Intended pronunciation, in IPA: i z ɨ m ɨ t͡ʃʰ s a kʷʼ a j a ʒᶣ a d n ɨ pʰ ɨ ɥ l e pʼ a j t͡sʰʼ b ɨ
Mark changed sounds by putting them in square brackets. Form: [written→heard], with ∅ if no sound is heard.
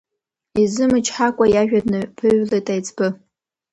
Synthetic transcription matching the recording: i z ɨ m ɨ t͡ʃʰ [s→ħ] a kʷʼ a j a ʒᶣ a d n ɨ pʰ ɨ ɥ l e [pʼ→tʼ] a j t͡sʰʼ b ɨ